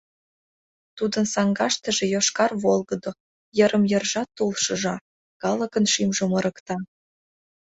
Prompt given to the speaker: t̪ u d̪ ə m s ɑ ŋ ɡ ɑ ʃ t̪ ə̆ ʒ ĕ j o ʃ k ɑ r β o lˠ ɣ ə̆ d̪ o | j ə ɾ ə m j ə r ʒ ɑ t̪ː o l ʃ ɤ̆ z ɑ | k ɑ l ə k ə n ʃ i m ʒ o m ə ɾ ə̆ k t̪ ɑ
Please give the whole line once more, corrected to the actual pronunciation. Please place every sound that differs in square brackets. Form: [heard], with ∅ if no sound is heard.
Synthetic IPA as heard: t̪ u d̪ ə [n] s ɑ ŋ ɡ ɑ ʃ t̪ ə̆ ʒ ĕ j o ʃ k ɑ r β o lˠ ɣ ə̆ d̪ o | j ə ɾ ə m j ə r ʒ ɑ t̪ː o l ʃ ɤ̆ [ʒ] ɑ | k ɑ l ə k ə n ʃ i m ʒ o m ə ɾ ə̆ k t̪ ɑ